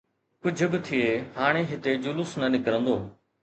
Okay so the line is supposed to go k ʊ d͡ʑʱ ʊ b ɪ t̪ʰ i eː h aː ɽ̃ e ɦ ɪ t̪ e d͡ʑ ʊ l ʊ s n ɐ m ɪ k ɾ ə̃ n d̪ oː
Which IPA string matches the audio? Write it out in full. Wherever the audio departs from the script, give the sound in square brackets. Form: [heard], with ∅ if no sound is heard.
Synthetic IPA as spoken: k ʊ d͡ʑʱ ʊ b ɪ t̪ʰ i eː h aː ɽ̃ e ɦ ɪ t̪ e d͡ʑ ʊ l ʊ s n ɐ [n] ɪ k ɾ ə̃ n d̪ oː

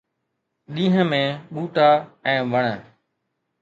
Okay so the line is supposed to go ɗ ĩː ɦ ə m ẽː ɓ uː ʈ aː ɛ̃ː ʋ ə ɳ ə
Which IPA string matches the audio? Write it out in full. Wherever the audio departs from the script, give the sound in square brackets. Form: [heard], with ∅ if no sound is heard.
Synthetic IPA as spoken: ɗ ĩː ɦ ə m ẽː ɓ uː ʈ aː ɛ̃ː ʋ ə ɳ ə

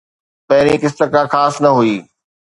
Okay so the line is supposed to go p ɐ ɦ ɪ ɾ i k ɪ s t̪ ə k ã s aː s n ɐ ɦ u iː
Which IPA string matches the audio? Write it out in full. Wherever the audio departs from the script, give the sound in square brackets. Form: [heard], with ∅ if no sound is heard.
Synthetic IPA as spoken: p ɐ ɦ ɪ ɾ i k ɪ s t̪ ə k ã [x] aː s n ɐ ɦ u iː

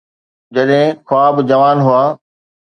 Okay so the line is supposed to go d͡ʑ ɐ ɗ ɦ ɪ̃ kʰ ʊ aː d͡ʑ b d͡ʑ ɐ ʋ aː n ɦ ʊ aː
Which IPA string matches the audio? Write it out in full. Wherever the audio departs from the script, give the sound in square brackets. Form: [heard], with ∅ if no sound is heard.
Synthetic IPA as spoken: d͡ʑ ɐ ɗ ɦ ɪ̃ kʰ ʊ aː [∅] b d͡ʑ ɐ ʋ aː n ɦ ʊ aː

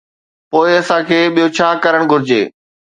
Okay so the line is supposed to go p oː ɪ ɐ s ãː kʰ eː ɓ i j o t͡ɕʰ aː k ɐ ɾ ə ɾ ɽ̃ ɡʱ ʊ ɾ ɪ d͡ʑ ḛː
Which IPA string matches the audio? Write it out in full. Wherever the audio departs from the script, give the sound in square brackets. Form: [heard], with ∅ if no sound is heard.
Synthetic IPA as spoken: p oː ɪ ɐ s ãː kʰ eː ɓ i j o t͡ɕʰ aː k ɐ ɾ ə [∅] ɽ̃ ɡʱ ʊ ɾ ɪ d͡ʑ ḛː

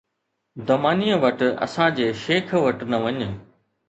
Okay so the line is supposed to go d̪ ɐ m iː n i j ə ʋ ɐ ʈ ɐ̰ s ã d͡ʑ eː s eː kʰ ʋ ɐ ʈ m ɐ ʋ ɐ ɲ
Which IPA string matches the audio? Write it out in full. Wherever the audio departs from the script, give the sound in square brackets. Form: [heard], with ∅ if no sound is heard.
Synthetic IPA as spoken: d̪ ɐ m [aː] n i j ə ʋ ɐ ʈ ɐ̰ s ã d͡ʑ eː [ʃ] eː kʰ ʋ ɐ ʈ [n] ɐ ʋ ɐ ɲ

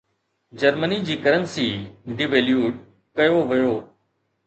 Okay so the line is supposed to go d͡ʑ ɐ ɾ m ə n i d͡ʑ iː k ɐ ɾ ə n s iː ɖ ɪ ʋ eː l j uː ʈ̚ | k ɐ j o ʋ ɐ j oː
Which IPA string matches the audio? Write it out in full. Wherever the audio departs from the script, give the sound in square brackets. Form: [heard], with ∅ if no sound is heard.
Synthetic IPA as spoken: d͡ʑ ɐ ɾ m ə n i d͡ʑ iː k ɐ ɾ ə n s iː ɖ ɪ ʋ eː l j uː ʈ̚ | k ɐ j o ʋ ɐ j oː

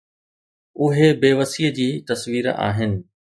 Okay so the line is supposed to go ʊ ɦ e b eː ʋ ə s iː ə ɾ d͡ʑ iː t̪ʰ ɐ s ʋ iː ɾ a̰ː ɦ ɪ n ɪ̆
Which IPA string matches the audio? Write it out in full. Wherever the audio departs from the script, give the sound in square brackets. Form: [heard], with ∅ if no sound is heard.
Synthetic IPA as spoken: ʊ ɦ e b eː ʋ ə s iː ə [∅] d͡ʑ iː [t̪] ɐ s ʋ iː ɾ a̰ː ɦ ɪ n ɪ̆

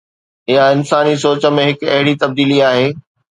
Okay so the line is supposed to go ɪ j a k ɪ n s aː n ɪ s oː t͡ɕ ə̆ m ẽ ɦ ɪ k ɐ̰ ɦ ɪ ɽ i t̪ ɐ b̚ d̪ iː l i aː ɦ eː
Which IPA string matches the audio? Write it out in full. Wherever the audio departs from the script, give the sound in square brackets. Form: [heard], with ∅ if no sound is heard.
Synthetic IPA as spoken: ɪ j a [∅] ɪ n s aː n [i] s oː t͡ɕ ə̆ m ẽ ɦ ɪ k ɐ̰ ɦ ɪ ɽ i t̪ ɐ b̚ d̪ iː l i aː ɦ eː

